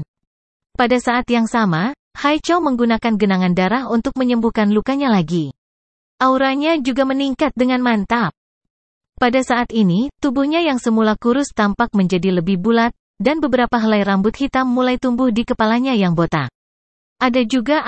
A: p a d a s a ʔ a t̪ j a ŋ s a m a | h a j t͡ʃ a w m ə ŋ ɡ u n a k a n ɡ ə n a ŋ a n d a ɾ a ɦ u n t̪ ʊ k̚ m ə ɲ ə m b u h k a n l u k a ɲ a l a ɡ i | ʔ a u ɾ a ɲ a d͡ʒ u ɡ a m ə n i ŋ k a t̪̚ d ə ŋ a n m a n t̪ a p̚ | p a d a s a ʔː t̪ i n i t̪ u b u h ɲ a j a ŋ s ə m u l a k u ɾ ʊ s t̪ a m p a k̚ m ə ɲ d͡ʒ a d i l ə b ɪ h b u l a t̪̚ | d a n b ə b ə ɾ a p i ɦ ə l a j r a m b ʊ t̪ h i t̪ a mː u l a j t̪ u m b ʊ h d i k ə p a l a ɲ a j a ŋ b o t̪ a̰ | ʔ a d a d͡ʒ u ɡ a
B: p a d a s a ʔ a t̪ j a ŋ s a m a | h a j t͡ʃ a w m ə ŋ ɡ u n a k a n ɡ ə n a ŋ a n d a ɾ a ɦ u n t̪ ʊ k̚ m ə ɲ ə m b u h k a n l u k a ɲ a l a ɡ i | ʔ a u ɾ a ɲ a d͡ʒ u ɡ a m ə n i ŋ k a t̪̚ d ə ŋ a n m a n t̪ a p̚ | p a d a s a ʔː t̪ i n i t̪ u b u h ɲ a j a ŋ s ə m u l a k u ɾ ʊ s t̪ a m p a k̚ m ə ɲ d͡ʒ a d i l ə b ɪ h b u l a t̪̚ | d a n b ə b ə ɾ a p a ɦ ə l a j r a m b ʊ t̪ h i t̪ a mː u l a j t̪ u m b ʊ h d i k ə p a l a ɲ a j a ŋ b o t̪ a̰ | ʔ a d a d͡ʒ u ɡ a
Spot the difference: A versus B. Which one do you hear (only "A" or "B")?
B